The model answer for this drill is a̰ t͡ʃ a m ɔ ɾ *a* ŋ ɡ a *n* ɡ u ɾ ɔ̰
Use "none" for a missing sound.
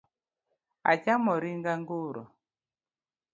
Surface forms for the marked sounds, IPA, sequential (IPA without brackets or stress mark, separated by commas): i, ŋ